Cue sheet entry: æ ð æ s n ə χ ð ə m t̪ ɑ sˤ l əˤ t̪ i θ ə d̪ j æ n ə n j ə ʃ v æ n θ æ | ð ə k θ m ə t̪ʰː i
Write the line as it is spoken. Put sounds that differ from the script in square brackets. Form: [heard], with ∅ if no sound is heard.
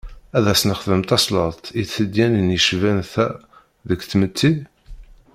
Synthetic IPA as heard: æ ð æ s n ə χ ð ə m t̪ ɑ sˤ l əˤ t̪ i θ ə d̪ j æ n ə n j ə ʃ v æ n θ æ | ð ə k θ m ə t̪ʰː i